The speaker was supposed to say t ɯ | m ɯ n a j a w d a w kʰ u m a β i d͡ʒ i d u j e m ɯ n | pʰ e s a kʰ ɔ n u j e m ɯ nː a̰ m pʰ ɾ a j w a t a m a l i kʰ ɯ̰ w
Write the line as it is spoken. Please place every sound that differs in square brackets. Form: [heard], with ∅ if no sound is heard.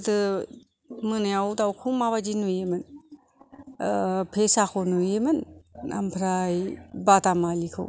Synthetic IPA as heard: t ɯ | m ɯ n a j a w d a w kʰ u m a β [a] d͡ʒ i [n] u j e m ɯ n | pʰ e s a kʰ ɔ n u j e m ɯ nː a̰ m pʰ ɾ a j [b] a t a m a l i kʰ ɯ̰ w